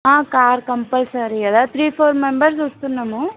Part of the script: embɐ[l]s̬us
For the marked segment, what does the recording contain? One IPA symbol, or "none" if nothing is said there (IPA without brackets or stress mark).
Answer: ɾ